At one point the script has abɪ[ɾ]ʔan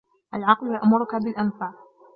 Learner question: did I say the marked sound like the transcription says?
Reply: no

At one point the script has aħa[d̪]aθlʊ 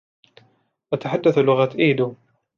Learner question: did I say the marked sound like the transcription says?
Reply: no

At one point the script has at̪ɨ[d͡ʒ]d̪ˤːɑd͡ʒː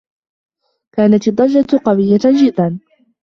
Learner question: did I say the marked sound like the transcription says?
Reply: no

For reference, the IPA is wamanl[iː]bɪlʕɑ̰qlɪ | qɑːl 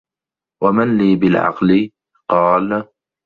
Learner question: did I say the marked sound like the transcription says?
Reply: yes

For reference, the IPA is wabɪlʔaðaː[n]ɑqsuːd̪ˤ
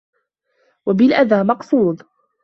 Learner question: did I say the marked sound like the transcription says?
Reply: no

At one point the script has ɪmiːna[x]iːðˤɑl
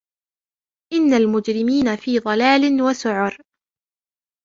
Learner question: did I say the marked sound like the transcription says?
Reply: no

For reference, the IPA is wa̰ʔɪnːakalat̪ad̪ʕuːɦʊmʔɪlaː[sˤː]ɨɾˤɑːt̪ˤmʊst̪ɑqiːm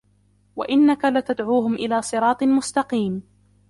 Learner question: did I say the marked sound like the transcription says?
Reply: no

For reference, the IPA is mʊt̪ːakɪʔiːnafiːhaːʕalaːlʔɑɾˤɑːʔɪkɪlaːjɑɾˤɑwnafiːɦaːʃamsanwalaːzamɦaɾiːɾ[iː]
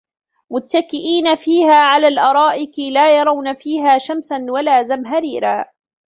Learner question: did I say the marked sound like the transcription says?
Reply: no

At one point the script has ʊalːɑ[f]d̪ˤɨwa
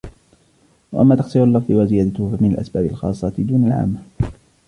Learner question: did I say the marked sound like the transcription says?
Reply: yes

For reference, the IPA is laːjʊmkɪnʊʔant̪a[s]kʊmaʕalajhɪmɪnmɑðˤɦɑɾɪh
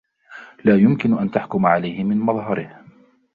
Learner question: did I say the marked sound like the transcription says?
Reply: no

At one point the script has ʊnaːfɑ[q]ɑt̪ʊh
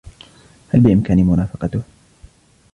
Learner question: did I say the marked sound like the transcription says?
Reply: yes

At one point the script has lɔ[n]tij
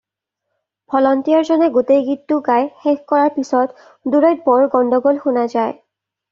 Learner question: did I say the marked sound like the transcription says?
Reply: yes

